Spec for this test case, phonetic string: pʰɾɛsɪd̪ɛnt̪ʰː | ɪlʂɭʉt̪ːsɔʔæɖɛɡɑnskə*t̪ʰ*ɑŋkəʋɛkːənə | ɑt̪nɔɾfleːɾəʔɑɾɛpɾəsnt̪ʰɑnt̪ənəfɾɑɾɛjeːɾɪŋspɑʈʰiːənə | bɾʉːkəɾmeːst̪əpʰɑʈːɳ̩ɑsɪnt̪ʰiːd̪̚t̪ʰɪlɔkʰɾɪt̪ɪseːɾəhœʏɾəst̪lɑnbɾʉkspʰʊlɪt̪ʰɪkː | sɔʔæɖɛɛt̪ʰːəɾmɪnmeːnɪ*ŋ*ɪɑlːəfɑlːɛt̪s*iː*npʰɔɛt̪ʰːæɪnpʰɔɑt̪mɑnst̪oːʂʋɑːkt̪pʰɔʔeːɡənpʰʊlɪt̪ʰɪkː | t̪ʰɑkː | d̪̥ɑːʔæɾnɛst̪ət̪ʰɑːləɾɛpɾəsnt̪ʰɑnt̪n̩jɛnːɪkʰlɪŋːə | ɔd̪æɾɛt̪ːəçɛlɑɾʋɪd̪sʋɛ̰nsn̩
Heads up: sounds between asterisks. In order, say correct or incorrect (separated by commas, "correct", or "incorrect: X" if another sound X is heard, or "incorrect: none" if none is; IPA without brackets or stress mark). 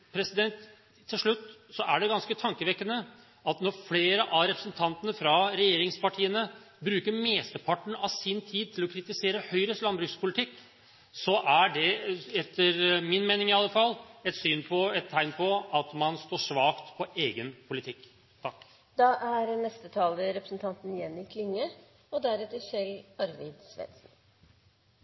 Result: correct, correct, incorrect: yː